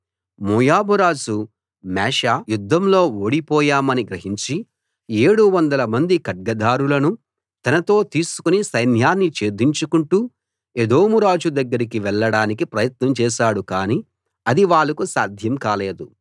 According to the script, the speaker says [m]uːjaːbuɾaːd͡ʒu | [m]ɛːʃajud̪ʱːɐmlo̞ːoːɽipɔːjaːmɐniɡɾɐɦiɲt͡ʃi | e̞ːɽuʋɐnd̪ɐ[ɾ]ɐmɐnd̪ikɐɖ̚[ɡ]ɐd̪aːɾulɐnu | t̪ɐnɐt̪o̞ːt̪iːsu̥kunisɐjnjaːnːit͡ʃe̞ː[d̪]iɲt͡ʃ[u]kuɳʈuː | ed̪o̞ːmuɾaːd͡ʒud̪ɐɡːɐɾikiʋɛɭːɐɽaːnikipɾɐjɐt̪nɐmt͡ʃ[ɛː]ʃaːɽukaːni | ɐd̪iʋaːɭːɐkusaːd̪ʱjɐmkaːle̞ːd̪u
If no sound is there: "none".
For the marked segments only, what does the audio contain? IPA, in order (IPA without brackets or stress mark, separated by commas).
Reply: m, m, l, ɡ, d̪, u, ɛː